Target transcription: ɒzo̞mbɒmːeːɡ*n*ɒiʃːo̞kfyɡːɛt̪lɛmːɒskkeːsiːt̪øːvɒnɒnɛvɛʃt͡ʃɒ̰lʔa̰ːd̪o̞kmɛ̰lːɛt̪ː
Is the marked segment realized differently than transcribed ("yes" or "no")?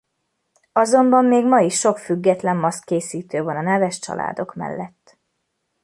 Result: yes